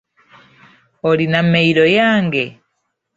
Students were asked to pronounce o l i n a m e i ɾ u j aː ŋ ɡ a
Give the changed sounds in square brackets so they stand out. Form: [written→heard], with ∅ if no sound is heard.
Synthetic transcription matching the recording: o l i n a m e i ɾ [u→o] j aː ŋ ɡ [a→e]